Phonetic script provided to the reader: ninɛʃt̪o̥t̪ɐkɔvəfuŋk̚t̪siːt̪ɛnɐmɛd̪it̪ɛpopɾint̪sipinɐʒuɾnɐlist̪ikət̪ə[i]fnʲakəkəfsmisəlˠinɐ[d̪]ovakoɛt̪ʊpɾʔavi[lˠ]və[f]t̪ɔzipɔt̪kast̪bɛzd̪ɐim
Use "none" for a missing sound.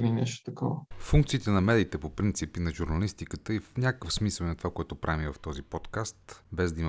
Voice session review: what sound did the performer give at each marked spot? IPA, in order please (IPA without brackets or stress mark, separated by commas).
i, t̪, none, f